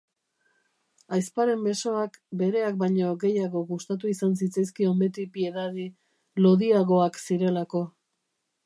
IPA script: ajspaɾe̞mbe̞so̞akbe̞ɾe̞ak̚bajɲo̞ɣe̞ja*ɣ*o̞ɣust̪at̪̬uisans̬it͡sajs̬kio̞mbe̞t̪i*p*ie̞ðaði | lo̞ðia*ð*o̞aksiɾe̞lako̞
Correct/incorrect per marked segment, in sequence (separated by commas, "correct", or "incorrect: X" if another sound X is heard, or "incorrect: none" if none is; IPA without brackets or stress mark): correct, correct, incorrect: ɣ